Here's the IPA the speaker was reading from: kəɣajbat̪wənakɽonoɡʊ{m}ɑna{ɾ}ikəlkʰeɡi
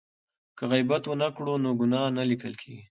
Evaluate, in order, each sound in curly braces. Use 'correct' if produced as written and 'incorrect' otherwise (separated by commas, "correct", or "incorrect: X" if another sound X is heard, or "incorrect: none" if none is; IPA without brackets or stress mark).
incorrect: n, incorrect: l